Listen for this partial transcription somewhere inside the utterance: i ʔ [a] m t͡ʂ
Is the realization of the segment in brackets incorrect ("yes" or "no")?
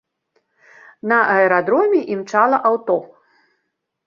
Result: yes